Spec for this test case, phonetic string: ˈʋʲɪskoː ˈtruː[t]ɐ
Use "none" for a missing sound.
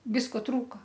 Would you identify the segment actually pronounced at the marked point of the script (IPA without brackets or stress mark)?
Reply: k